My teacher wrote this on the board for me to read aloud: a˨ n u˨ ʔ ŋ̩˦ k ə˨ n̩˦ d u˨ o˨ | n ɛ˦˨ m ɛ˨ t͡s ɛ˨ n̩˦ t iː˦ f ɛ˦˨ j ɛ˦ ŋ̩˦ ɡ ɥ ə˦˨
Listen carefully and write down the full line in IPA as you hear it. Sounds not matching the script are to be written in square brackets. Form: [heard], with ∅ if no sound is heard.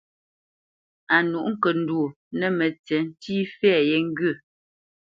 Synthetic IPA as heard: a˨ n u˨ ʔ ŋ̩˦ k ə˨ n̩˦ d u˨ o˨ | n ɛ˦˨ m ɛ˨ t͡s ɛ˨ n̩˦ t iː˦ f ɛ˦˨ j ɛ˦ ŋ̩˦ ɡ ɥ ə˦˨

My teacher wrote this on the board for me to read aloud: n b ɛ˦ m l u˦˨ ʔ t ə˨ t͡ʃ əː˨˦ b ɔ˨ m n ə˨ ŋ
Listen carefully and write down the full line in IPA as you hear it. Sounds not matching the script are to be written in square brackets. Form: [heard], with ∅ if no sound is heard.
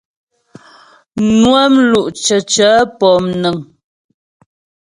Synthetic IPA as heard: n [w] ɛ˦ m l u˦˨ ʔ [t͡ʃ] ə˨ t͡ʃ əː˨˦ [p] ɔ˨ m n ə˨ ŋ

